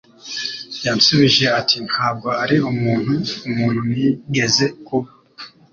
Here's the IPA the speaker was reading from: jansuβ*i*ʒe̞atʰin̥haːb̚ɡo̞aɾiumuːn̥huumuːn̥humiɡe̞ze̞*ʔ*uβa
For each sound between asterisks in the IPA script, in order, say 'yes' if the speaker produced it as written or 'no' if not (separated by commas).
yes, no